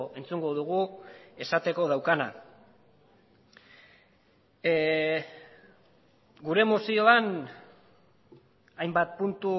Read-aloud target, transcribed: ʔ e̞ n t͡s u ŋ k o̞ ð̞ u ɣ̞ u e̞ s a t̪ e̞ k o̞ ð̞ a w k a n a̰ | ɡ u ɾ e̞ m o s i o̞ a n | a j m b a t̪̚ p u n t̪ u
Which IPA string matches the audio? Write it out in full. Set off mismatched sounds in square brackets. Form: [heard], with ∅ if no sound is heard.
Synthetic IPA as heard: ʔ e̞ n t͡s u ŋ [ɡ] o̞ ð̞ u ɣ̞ u e̞ s a t̪ e̞ k o̞ ð̞ a w k a n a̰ | ɡ u ɾ e̞ m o s i o̞ a n | a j m b a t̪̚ p u n t̪ u